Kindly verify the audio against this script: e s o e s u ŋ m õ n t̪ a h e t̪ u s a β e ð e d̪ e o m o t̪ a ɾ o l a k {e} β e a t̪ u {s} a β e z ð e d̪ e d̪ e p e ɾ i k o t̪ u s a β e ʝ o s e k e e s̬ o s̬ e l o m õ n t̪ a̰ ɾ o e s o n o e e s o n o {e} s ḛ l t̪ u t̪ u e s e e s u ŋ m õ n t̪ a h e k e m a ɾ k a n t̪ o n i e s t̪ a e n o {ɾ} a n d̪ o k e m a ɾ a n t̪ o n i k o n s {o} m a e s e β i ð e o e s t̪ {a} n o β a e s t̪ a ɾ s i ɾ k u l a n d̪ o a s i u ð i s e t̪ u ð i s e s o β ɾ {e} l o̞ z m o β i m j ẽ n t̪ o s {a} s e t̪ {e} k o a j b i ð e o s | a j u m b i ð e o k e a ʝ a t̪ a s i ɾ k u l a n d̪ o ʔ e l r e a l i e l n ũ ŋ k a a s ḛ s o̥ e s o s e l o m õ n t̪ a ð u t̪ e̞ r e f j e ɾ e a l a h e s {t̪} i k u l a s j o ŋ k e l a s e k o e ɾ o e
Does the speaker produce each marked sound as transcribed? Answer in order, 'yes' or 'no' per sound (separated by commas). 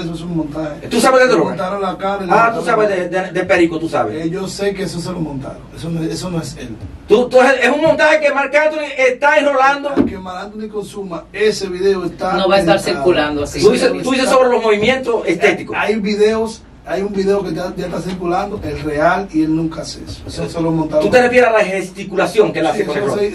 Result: no, yes, yes, no, no, yes, yes, no, no, yes